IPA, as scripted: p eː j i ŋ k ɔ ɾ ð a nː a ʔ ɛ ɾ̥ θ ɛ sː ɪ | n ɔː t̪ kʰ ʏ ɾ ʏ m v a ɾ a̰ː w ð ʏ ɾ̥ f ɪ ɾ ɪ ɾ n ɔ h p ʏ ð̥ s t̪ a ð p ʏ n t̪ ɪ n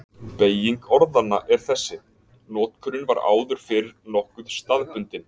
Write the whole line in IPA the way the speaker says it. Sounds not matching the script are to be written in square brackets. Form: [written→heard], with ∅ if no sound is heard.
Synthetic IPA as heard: p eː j i ŋ k ɔ ɾ ð a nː a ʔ ɛ ɾ̥ θ ɛ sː ɪ | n ɔː t̪ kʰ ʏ ɾ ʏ [m→n] v a ɾ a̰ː w ð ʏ ɾ̥ f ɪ ɾ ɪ ɾ n ɔ h [p→k] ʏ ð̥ s t̪ a ð p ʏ n t̪ ɪ n